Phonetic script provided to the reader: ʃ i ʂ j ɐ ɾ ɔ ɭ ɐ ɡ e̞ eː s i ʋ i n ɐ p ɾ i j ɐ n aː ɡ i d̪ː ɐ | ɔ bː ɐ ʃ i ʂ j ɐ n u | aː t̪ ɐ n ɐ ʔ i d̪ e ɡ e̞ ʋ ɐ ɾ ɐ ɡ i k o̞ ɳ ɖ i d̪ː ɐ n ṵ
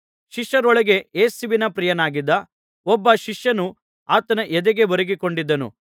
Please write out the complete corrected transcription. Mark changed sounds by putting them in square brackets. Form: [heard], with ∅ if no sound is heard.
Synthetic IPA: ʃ i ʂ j ɐ ɾ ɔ ɭ ɐ ɡ e̞ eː s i ʋ i n ɐ p ɾ i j ɐ n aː ɡ i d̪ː ɐ | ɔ bː ɐ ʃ i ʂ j ɐ n u | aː t̪ ɐ n ɐ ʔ [ɛ] d̪ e ɡ e̞ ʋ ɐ ɾ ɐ ɡ i k o̞ ɳ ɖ i d̪ː ɐ n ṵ

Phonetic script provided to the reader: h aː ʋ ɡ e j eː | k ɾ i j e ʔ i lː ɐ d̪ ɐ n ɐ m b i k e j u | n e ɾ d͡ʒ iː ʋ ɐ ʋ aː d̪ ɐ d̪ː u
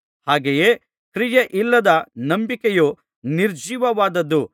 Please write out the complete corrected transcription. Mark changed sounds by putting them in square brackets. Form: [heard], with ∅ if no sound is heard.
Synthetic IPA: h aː [∅] ɡ e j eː | k ɾ i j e ʔ i lː ɐ d̪ ɐ n ɐ m b i k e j u | n [i] ɾ d͡ʒ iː ʋ ɐ ʋ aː d̪ ɐ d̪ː u

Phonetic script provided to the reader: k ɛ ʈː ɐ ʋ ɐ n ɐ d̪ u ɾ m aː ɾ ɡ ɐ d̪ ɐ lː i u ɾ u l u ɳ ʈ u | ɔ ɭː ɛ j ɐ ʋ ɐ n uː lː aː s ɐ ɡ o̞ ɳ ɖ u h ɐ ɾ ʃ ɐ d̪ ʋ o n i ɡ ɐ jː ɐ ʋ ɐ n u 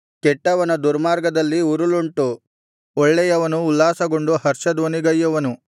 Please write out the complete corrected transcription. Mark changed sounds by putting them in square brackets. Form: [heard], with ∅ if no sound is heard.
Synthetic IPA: k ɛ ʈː ɐ ʋ ɐ n ɐ d̪ u ɾ m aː ɾ ɡ ɐ d̪ ɐ lː i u ɾ u l u ɳ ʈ u | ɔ ɭː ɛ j ɐ ʋ ɐ n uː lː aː s ɐ ɡ o̞ ɳ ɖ u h ɐ ɾ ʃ ɐ d̪ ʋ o n i ɡ ɐ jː ɐ ʋ ɐ n u

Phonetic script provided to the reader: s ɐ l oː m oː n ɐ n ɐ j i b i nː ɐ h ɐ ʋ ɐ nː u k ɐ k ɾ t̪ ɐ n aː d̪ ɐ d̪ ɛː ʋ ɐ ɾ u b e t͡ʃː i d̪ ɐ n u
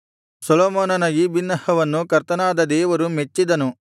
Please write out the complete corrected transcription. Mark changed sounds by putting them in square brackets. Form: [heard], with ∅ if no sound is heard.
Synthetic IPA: s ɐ l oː m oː n ɐ n ɐ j i b i nː ɐ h ɐ ʋ ɐ nː u k ɐ [∅] ɾ t̪ ɐ n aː d̪ ɐ d̪ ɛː ʋ ɐ ɾ u [m] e t͡ʃː i d̪ ɐ n u

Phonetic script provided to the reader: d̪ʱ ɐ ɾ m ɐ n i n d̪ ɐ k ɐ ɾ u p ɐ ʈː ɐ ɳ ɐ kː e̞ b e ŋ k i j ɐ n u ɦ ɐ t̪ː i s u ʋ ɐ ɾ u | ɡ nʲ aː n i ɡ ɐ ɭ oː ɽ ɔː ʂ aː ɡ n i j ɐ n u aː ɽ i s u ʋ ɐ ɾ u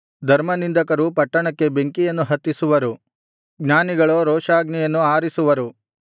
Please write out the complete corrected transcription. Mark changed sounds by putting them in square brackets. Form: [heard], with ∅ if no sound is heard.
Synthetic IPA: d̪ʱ ɐ ɾ m ɐ n i n d̪ ɐ k ɐ ɾ u p ɐ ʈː ɐ ɳ ɐ kː e̞ b e ŋ k i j ɐ [nː] u ɦ ɐ t̪ː i s u ʋ ɐ ɾ u | ɡ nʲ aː n i ɡ ɐ ɭ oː [ɾ] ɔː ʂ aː ɡ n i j ɐ [nː] u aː [ɾ] i s u ʋ ɐ ɾ u

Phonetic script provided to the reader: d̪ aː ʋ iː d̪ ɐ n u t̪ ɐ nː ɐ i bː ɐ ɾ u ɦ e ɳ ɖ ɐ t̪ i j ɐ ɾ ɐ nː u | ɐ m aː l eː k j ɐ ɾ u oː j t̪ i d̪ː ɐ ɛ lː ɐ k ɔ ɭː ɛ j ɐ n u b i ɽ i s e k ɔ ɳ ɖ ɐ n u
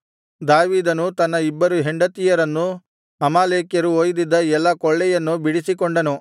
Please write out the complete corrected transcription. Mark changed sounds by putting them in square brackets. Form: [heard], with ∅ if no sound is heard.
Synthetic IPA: d̪ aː ʋ iː d̪ ɐ n u t̪ ɐ nː ɐ i bː ɐ ɾ u ɦ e ɳ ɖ ɐ t̪ i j ɐ ɾ ɐ nː u | ɐ m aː l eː k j ɐ ɾ u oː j [d̪] i d̪ː ɐ ɛ lː ɐ k ɔ ɭː ɛ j ɐ [nː] u b i ɽ i s [i] k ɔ ɳ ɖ ɐ n u

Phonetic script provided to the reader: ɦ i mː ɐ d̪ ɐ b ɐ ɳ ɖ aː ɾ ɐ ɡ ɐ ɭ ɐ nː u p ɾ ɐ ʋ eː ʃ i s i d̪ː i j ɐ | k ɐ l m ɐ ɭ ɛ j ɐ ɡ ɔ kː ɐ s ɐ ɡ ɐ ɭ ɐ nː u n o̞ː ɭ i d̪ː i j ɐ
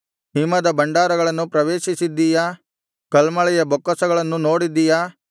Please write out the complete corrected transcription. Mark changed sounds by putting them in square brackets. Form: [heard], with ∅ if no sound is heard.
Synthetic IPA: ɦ i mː ɐ d̪ ɐ b ɐ ɳ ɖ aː ɾ ɐ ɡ ɐ ɭ ɐ nː u p ɾ ɐ ʋ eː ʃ i s i d̪ː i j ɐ | k ɐ l m ɐ ɭ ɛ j ɐ [b] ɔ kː ɐ s ɐ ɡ ɐ ɭ ɐ nː u n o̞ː [ɽ] i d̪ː i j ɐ

